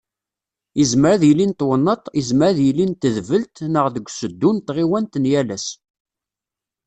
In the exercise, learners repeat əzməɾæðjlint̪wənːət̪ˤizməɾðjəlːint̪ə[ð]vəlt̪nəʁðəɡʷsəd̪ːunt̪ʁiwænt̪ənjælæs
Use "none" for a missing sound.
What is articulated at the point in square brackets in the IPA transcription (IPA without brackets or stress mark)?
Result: ð